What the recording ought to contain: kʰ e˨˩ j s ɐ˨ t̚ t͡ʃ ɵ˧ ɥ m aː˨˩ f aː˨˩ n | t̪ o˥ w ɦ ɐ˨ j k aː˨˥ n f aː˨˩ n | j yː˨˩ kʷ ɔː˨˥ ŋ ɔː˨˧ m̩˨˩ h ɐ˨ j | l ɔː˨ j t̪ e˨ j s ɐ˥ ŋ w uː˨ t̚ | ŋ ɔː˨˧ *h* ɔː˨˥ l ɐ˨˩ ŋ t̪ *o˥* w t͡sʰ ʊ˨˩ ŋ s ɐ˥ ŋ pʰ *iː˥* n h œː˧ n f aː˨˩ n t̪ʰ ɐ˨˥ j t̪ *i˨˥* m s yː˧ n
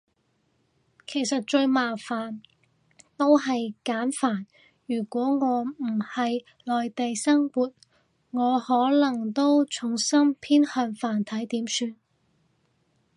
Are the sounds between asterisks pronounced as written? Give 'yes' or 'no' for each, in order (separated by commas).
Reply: yes, yes, yes, no